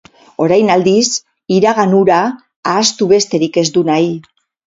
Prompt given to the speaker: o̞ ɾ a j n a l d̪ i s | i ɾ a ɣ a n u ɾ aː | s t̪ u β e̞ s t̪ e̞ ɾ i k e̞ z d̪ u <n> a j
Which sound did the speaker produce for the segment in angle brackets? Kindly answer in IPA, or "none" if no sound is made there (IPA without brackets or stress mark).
n